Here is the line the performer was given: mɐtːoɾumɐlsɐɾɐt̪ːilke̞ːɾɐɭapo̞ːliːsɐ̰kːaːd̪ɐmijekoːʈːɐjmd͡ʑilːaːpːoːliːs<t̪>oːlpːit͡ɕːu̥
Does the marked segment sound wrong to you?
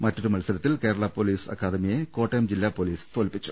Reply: no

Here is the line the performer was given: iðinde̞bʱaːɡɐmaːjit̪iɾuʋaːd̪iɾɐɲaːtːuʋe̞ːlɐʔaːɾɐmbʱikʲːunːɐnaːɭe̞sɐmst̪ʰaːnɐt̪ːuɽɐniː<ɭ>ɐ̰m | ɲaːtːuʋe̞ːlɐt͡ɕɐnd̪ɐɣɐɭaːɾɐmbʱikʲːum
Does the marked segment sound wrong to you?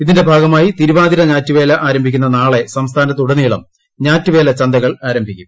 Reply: no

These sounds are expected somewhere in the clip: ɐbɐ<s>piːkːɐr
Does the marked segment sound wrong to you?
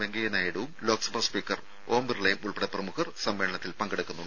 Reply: no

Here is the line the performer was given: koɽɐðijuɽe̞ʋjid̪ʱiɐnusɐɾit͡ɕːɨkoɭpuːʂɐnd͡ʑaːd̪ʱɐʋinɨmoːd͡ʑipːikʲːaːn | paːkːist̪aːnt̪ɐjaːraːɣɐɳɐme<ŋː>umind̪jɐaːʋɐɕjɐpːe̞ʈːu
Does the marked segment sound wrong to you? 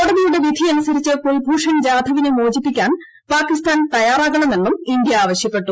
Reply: yes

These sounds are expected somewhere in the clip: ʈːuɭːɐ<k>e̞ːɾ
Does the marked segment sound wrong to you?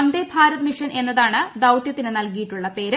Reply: yes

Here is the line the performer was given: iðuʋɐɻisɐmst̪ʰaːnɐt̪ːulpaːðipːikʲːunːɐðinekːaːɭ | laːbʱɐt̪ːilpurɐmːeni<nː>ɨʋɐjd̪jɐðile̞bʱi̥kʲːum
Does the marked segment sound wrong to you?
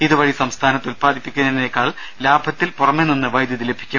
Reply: no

